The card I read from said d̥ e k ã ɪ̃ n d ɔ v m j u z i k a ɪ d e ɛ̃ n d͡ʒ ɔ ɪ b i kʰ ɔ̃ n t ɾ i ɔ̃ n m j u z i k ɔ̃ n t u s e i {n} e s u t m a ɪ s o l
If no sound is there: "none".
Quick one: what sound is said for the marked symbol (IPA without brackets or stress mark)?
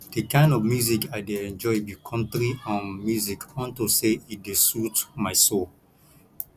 d